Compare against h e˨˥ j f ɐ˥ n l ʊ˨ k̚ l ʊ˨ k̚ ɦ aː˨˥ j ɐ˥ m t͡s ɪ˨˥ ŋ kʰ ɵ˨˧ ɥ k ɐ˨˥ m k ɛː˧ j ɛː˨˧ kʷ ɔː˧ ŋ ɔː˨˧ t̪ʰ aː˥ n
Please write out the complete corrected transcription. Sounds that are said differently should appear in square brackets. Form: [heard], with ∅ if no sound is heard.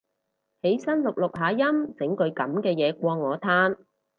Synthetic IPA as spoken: h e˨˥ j [s] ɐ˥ n l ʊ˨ k̚ l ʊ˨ k̚ ɦ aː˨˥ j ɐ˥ m t͡s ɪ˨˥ ŋ [k] ɵ˨˧ ɥ k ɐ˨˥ m k ɛː˧ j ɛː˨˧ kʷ ɔː˧ ŋ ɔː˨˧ t̪ʰ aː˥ n